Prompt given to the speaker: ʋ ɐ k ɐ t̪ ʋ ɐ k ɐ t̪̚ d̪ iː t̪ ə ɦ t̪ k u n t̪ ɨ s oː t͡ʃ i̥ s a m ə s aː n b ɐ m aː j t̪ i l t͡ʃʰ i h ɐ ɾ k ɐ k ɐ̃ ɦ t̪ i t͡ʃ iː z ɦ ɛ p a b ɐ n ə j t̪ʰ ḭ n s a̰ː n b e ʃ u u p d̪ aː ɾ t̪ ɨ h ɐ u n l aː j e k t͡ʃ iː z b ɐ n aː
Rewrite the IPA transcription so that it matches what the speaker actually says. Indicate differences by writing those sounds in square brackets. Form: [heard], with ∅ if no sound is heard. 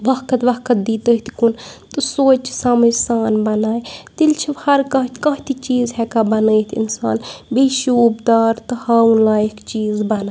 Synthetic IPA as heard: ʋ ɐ k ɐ t̪ ʋ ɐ k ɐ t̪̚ d̪ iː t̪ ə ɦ t̪ k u n t̪ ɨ s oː t͡ʃ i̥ s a m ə s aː n b ɐ [n] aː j t̪ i l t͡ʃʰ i h ɐ ɾ k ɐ k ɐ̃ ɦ t̪ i t͡ʃ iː z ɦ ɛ [k] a b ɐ n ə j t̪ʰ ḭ n s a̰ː n b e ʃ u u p d̪ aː ɾ t̪ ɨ h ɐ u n l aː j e k t͡ʃ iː z b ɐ n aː